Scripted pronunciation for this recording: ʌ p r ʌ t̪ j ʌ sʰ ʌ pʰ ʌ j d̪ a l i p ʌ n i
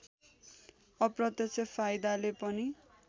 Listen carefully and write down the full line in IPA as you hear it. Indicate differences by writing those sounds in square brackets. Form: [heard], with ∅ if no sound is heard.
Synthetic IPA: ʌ p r ʌ t̪ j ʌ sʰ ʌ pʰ [a] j d̪ a l [e] p ʌ n i